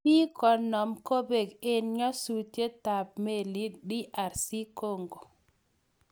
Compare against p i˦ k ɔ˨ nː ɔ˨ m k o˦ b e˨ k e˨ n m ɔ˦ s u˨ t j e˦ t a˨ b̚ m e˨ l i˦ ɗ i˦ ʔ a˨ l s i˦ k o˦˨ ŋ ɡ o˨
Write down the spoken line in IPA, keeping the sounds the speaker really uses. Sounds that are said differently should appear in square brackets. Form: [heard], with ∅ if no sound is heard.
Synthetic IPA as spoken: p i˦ k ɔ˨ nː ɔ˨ m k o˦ b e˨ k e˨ n [ɲ] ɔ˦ s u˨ t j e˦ t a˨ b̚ m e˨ l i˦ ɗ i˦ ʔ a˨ [ɾ] s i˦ k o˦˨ ŋ ɡ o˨